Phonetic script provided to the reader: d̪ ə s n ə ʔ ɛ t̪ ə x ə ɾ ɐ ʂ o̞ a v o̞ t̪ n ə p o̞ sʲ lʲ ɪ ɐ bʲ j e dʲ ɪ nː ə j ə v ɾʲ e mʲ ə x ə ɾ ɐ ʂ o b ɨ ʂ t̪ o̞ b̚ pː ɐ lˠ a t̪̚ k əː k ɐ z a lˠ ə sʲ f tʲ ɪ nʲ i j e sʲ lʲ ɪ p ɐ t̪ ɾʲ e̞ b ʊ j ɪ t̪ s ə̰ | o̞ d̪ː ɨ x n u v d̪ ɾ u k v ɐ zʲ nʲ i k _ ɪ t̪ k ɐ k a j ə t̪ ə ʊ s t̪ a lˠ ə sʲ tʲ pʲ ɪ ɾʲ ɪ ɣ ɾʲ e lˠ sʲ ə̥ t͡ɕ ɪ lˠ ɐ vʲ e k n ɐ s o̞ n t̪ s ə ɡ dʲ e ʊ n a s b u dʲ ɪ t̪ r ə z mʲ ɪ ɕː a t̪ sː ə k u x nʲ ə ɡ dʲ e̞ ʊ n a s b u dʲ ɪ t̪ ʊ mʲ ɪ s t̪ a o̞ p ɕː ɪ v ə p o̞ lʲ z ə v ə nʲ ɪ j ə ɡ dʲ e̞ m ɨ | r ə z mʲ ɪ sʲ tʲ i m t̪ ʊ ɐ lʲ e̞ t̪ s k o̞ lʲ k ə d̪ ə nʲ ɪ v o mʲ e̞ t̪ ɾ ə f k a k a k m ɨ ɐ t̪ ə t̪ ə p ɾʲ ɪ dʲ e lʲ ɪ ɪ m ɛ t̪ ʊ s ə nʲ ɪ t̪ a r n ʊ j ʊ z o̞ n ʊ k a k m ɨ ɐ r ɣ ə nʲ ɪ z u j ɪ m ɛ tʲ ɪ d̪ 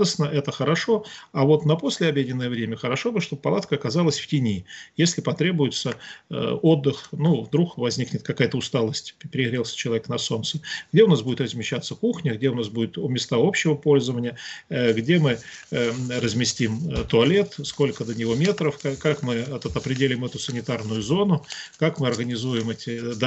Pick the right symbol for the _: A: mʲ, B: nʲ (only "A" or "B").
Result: B